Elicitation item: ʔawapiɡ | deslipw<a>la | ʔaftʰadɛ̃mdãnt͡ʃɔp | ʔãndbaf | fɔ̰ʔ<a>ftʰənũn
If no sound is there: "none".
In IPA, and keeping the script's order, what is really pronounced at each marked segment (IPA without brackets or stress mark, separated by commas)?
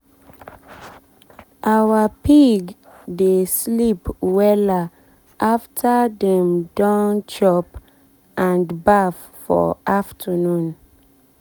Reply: ɛ, a